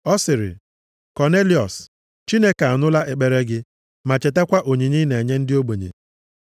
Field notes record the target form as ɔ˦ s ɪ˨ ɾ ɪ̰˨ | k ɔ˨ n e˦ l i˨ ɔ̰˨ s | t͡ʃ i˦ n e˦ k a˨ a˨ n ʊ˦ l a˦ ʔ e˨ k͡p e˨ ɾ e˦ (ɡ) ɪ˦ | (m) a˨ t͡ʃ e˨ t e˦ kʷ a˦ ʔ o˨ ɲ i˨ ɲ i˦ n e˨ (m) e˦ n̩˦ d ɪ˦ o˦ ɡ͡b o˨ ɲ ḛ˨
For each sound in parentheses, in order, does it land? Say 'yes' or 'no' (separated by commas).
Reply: yes, yes, no